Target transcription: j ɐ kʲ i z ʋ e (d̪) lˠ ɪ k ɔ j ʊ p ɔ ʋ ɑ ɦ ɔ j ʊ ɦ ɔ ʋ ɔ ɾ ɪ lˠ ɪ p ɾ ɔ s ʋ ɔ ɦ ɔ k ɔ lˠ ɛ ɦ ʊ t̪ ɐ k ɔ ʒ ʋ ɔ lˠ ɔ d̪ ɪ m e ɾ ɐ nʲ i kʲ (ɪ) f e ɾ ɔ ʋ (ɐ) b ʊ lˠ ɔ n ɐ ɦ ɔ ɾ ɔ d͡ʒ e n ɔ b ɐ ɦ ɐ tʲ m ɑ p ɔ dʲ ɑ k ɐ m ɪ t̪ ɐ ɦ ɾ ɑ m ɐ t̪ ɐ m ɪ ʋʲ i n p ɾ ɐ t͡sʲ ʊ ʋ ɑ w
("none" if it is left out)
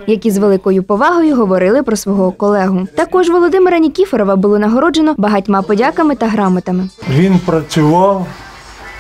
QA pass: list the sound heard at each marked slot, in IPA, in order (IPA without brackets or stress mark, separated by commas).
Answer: none, i, ɐ